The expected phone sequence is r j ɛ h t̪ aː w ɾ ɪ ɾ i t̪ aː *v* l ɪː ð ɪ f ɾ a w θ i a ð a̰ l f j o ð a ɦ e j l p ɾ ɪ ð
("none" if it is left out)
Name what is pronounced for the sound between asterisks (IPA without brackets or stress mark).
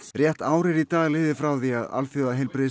ɣ